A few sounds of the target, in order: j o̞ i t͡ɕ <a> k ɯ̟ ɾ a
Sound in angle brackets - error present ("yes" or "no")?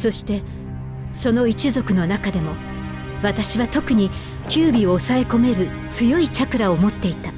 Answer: no